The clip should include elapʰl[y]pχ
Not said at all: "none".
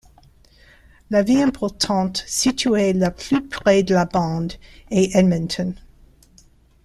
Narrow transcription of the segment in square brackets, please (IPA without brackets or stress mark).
y